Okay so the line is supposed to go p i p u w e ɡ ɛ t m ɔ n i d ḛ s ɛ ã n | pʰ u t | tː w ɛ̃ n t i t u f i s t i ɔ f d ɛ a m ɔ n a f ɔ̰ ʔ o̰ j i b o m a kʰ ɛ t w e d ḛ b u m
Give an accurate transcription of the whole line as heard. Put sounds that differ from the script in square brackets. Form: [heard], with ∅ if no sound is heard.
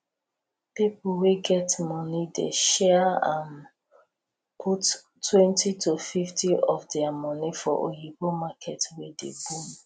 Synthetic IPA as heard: p i p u w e ɡ ɛ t m ɔ n i d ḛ [ʃ] ɛ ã n | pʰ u t | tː w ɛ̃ n t i t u f i [f] t i ɔ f d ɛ a m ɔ n [i] f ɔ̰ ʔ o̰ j i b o m a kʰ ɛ t w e d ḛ b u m